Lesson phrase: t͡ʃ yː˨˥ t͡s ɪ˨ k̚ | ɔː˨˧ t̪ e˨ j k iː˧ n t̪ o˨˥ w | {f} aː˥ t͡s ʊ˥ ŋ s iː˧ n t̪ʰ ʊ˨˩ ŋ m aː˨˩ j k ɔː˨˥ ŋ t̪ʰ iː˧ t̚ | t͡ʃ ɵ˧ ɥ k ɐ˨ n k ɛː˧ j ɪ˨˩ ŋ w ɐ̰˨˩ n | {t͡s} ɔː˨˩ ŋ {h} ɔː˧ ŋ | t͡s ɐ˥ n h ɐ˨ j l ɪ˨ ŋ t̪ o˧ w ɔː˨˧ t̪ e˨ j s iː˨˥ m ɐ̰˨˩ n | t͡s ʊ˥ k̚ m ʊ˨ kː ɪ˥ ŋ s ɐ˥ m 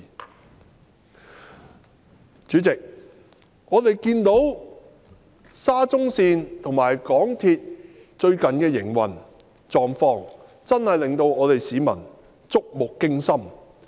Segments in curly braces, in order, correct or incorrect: incorrect: s, correct, incorrect: f

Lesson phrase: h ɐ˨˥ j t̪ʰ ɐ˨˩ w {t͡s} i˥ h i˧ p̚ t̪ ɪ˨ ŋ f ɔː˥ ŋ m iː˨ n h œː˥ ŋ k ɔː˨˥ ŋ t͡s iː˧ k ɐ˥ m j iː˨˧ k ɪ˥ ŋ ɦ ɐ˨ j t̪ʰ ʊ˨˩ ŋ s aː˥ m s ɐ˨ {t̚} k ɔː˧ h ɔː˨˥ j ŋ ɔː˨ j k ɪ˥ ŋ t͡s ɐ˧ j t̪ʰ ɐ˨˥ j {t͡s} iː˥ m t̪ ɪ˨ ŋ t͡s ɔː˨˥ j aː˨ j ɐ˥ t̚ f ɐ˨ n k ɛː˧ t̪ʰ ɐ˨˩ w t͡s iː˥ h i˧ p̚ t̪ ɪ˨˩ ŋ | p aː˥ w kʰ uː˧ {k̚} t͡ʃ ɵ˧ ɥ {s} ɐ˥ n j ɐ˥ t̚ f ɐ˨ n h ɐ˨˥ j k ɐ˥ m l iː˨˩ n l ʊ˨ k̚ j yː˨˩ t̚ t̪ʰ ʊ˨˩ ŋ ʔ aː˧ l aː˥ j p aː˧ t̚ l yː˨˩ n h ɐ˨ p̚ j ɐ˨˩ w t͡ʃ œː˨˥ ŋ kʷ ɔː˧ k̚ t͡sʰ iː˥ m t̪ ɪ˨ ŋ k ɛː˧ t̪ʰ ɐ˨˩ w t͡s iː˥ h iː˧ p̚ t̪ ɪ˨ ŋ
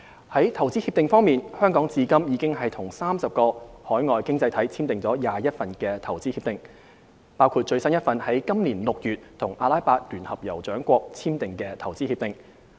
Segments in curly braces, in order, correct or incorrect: correct, incorrect: p̚, incorrect: t͡sʰ, incorrect: t̚, correct

